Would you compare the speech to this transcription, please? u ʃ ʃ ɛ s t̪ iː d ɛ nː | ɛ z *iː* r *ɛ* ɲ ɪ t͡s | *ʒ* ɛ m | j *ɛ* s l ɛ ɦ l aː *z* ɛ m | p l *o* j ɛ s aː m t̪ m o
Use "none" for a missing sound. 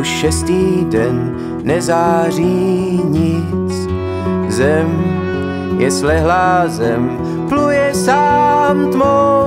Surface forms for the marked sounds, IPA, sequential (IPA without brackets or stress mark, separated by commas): aː, i, z, ɛ, z, u